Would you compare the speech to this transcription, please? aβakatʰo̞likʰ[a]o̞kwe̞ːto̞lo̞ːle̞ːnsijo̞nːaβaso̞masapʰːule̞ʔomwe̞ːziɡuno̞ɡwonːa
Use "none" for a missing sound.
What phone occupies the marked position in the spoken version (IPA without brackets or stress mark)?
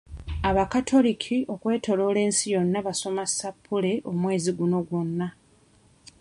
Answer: i